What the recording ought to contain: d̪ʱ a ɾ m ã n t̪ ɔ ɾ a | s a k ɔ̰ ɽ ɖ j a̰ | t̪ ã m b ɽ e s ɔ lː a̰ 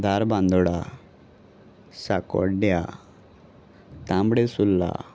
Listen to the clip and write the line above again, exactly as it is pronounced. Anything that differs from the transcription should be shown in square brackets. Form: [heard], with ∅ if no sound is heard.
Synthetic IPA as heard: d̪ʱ a ɾ [b] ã n [d̪] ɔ [ɽ] a | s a k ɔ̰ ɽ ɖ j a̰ | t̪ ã m b ɽ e s [u] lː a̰